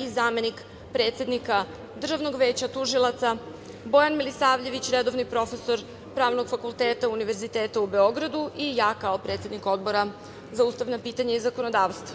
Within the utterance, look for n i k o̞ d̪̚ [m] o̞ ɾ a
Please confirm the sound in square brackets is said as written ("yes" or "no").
no